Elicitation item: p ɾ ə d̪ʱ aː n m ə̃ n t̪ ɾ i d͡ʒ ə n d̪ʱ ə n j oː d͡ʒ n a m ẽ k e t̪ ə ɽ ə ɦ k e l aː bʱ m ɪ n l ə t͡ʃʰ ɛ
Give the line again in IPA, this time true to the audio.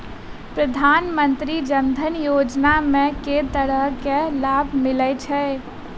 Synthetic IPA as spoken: p ɾ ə d̪ʱ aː n m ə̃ n t̪ ɾ i d͡ʒ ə n d̪ʱ ə n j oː d͡ʒ n a m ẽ k e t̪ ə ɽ ə ɦ k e l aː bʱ m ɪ l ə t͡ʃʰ ɛ